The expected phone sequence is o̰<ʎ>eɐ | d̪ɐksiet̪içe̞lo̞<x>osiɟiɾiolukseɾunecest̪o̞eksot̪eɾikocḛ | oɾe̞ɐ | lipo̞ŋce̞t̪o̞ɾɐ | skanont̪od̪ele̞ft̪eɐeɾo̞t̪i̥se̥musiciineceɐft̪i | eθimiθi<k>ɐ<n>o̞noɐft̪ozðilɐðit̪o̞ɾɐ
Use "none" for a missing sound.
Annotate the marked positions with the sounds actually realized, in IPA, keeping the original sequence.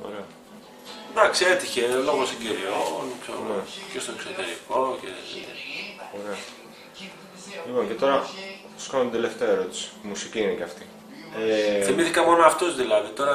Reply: ɾ, ɣ, k, m

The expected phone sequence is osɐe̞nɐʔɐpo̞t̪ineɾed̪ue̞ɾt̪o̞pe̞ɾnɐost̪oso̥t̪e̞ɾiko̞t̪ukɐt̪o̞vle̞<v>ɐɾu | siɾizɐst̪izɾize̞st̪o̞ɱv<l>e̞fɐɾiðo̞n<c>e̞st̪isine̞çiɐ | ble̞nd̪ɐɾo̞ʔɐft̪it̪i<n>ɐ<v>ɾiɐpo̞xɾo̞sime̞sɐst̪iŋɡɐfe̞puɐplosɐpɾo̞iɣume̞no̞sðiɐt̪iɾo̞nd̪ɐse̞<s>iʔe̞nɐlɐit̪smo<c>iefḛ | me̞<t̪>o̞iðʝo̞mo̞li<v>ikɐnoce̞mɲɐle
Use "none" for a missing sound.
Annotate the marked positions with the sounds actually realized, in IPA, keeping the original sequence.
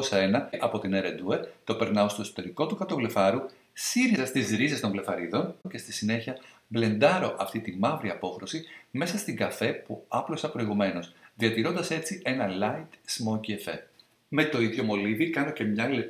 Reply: f, l, c, m, v, t͡s, c, t̪, v

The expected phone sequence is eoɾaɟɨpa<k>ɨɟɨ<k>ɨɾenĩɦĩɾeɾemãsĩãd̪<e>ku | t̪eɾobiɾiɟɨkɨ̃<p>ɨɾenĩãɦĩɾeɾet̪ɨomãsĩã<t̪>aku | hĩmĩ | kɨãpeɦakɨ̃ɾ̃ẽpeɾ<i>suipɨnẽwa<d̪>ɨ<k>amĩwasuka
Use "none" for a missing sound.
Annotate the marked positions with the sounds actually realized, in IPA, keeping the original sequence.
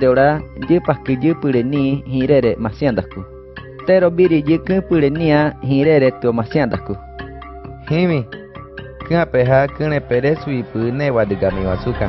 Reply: k, p, a, p, d̪, e, d̪, ɡ

